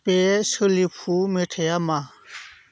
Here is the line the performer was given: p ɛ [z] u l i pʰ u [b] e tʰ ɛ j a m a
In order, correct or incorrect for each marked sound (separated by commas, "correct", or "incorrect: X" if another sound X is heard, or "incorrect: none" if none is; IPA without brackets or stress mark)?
incorrect: s, incorrect: m